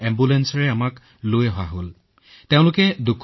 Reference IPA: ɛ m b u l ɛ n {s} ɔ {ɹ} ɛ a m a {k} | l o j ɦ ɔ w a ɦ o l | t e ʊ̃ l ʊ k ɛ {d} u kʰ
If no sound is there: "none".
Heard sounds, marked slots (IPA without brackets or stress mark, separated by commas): s, ɹ, k, d